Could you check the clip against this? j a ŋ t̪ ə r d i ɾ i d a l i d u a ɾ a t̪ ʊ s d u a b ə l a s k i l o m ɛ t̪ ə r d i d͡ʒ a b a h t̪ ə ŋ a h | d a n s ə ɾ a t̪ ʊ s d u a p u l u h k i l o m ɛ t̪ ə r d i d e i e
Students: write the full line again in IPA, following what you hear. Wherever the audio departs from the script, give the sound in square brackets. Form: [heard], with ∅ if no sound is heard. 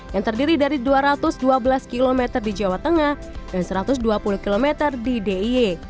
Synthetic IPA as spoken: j a ŋ t̪ ə r d i ɾ i d a [ɾ] i d u a ɾ a t̪ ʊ s d u a b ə l a s k i l o m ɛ t̪ ə r d i d͡ʒ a [w] a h t̪ ə ŋ a h | d a n s ə ɾ a t̪ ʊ s d u a p u l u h k i l o m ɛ t̪ ə r d i d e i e